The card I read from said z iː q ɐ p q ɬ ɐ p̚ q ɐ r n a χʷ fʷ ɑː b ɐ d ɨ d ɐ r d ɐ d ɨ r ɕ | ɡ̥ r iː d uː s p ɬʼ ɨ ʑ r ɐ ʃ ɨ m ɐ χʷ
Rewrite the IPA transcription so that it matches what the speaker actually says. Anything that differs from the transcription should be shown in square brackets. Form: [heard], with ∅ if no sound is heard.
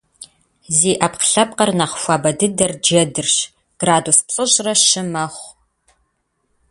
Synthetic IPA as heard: z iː [ʔ] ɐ p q ɬ ɐ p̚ q ɐ r n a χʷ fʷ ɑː b ɐ d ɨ d ɐ r [d͡ʒ] ɐ d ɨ r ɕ | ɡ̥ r [aː] d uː s p ɬʼ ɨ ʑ r ɐ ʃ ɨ m ɐ χʷ